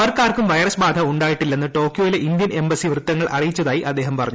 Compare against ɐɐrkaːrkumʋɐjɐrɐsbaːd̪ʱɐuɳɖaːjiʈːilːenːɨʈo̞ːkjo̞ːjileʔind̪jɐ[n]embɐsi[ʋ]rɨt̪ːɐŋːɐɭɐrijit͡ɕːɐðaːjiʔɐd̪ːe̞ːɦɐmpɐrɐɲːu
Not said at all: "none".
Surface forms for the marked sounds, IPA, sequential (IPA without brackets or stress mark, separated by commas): n, ʋ